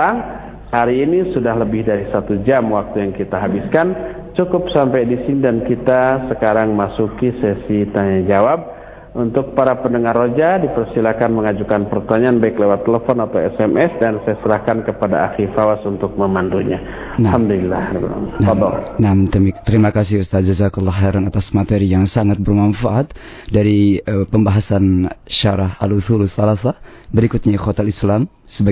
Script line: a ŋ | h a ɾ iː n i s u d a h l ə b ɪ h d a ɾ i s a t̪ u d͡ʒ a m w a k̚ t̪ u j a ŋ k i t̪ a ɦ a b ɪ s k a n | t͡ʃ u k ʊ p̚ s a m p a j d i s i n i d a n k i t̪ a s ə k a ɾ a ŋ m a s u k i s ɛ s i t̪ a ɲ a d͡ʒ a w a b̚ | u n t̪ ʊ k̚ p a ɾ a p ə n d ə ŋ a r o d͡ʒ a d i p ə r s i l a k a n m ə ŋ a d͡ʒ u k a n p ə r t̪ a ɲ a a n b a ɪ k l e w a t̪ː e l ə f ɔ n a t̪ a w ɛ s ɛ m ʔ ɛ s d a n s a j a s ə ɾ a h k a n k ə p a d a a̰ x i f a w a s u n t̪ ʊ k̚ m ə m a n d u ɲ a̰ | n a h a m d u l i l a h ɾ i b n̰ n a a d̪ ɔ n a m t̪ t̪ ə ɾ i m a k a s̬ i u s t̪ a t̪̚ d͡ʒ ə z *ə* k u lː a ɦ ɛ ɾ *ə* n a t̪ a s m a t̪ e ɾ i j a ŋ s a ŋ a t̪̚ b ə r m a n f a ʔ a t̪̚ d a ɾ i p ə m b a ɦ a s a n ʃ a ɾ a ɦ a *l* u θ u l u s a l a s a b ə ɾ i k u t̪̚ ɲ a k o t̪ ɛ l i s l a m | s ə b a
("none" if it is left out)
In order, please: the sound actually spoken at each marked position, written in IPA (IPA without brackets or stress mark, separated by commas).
a, a, l